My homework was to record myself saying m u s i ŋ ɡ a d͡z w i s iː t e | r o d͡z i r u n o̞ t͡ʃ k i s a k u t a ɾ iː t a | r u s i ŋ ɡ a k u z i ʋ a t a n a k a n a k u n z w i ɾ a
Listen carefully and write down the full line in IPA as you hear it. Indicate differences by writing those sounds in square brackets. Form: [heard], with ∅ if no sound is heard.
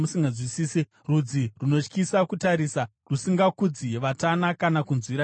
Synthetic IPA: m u s i ŋ ɡ a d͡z w i s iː [s] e | r [u] d͡z i r u n o̞ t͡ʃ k i s a k u t a ɾ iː [s] a | r u s i ŋ ɡ a k u [d͡z] i ʋ a t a n a k a n a k u n z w i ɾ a